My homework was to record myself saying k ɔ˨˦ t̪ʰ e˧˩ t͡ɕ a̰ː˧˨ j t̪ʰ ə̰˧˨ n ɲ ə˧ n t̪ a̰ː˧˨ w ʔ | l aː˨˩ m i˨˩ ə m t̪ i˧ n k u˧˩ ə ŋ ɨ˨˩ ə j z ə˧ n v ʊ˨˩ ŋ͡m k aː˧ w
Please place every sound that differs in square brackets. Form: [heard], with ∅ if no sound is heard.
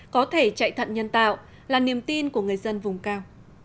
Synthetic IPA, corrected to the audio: k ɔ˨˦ t̪ʰ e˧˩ t͡ɕ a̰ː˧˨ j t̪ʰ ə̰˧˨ n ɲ ə˧ n t̪ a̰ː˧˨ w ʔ | l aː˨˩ [n] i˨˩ ə m t̪ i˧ n k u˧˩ ə ŋ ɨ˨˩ ə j z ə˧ n v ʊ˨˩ ŋ͡m k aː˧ w